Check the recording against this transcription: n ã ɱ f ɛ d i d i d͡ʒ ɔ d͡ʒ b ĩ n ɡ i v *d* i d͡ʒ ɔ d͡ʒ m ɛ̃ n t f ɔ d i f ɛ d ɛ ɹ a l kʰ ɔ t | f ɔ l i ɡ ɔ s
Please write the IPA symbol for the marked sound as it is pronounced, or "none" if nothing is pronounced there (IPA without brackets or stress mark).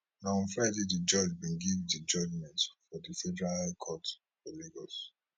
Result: d